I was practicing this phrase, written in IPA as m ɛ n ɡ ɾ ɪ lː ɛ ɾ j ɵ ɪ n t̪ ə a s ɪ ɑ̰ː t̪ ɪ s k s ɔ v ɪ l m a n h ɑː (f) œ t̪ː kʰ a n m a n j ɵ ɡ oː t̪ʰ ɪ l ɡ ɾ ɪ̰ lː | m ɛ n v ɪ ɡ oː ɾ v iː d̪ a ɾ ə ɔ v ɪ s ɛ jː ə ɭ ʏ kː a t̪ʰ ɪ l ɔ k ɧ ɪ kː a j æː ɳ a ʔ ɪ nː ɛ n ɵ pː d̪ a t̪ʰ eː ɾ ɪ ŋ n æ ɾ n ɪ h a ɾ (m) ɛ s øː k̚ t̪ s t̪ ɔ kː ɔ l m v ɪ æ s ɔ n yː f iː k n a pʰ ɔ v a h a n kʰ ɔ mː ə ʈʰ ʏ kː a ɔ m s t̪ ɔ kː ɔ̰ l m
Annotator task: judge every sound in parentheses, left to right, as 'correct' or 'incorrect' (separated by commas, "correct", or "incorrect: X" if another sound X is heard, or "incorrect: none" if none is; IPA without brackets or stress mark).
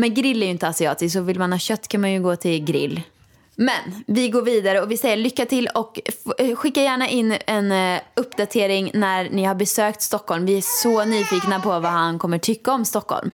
incorrect: ɕ, incorrect: b